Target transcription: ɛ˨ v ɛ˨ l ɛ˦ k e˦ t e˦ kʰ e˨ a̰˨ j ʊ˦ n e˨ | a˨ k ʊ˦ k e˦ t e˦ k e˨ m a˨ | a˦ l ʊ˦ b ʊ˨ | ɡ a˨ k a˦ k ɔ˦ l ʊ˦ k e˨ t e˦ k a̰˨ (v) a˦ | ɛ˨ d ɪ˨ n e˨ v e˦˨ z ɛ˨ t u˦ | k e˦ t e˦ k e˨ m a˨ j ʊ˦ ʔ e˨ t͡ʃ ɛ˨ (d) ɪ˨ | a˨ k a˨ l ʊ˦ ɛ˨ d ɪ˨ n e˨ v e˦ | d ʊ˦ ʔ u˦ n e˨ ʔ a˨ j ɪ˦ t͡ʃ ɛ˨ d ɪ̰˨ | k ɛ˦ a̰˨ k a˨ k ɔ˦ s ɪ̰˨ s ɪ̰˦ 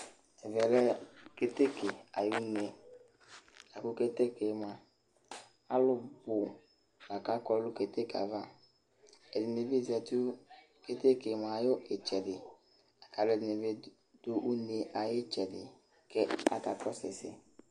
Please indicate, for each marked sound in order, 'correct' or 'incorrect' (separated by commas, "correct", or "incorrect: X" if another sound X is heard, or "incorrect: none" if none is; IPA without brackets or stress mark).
correct, correct